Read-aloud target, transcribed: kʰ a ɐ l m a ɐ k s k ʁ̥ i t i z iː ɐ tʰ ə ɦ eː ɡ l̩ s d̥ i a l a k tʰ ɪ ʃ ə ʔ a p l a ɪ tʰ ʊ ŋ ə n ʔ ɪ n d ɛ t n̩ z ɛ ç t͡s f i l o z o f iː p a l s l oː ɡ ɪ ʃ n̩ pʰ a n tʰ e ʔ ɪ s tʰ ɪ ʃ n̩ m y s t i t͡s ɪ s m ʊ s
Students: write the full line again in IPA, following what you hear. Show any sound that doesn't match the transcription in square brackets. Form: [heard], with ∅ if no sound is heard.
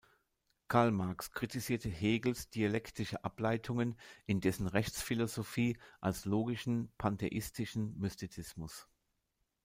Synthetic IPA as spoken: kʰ a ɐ l m a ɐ k s k ʁ̥ i t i z iː ɐ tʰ ə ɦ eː ɡ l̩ s d̥ i a l [ɛ] k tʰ ɪ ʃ ə ʔ a p l a ɪ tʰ ʊ ŋ ə n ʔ ɪ n d ɛ [s] n̩ [ʁ] ɛ ç t͡s f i l o z o f iː [ʔ] a l s l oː ɡ ɪ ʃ n̩ pʰ a n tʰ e ʔ ɪ s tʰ ɪ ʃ n̩ m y s t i t͡s ɪ s m ʊ s